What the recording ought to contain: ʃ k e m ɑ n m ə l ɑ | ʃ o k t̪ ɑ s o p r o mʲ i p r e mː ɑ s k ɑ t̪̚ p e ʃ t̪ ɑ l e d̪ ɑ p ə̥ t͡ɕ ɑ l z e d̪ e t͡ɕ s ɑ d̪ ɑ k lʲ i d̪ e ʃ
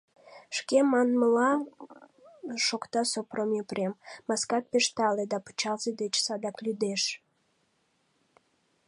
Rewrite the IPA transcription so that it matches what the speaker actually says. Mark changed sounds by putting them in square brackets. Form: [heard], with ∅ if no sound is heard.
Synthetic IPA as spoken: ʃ k e m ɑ n m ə l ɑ | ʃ o k t̪ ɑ s o p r o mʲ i p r e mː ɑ s k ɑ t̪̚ p e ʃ t̪ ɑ l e d̪ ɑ p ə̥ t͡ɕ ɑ l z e d̪ e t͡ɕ s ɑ d̪ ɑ k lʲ [y] d̪ e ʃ